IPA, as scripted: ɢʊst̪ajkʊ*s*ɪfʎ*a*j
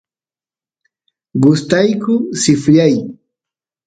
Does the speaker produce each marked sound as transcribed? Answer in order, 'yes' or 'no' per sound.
yes, yes

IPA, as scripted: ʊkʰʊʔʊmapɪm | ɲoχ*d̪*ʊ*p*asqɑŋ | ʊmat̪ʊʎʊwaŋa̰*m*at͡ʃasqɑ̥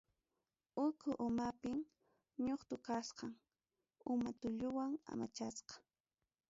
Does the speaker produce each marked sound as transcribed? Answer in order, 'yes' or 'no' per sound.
no, no, yes

